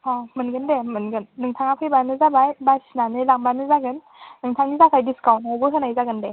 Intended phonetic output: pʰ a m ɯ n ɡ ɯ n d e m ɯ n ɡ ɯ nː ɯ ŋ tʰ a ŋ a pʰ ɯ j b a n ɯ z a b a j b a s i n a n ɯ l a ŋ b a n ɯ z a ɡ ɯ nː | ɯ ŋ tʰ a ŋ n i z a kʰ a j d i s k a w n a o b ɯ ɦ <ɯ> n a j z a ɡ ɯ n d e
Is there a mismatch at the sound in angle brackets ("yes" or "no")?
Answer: no